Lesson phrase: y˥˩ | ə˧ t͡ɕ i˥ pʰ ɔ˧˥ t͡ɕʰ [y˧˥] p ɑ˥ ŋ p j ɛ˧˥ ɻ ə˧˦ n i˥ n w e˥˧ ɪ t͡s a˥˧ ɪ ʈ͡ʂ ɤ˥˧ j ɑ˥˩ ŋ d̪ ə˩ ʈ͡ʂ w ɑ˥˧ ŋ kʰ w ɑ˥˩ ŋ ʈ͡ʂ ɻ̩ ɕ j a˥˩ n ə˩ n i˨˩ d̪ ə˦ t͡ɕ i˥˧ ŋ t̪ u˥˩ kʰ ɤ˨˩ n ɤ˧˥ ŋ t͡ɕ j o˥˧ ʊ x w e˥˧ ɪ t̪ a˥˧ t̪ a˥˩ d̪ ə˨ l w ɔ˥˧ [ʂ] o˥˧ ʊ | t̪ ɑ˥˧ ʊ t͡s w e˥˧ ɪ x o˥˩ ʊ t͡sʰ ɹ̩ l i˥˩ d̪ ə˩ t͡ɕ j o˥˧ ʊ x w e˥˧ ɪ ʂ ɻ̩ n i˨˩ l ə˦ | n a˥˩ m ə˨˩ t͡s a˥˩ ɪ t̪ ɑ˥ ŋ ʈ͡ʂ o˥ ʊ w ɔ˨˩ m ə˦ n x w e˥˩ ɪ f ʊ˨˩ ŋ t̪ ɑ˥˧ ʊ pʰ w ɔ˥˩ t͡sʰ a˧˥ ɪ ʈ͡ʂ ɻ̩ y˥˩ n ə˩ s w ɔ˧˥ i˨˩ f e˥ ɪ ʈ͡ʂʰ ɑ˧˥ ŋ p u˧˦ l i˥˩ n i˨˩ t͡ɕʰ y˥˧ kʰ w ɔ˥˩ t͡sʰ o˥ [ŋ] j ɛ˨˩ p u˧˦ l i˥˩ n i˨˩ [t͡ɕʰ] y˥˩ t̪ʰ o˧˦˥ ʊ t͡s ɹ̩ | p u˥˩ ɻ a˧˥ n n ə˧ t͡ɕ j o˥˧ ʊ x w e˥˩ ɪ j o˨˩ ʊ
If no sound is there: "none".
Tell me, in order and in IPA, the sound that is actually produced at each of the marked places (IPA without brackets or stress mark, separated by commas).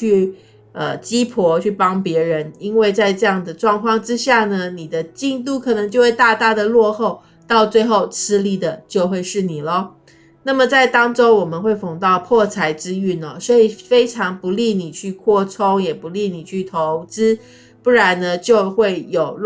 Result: y˥˩, x, ŋ, t͡ɕʰ